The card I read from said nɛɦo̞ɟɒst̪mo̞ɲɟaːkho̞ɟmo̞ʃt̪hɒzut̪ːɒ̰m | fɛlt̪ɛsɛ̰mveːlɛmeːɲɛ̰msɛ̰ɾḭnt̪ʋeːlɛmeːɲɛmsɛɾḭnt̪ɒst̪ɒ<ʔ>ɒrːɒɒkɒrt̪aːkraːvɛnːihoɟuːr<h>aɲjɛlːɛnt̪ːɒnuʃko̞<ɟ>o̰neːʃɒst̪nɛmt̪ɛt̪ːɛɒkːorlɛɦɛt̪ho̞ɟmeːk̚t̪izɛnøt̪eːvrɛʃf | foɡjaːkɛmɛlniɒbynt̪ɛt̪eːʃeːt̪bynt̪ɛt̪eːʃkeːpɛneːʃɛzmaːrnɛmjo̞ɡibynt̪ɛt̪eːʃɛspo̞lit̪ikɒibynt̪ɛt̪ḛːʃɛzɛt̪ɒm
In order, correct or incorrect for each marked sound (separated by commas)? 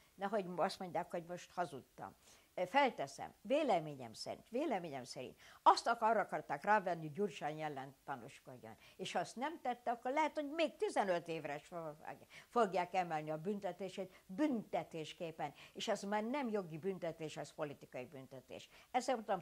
incorrect, incorrect, incorrect